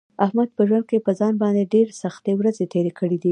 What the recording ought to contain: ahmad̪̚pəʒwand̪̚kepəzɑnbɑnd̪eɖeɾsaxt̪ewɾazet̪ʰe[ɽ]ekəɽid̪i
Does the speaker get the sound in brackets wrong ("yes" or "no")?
yes